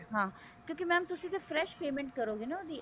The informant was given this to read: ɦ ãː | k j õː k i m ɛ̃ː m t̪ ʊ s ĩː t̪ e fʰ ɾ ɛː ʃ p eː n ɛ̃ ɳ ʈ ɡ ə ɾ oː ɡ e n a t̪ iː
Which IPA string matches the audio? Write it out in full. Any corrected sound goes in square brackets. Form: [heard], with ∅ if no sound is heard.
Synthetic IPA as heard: ɦ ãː | k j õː k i m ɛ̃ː m t̪ ʊ s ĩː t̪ e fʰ ɾ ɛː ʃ p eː [m] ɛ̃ ɳ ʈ [k] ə ɾ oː ɡ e n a [d̪] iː